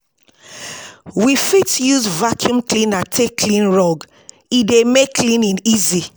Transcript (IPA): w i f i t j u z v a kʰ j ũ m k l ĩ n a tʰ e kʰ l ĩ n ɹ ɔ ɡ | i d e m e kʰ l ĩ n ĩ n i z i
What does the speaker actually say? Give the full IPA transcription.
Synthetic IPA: w i f i t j u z v a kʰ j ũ m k l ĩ n a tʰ e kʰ l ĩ n ɹ ɔ ɡ | i d e m e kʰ l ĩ n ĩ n i z i